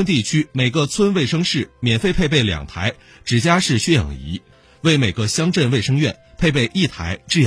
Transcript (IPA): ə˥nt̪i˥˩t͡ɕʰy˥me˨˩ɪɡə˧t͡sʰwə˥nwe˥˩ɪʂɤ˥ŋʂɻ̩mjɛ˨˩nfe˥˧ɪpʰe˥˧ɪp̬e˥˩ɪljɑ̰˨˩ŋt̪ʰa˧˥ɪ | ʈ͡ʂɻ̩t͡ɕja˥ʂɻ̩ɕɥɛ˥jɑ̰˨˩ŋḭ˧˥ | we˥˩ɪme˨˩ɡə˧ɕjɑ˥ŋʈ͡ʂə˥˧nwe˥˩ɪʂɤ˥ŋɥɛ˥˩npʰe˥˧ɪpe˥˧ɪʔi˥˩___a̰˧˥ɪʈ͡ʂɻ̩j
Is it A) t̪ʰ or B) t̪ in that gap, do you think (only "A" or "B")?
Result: A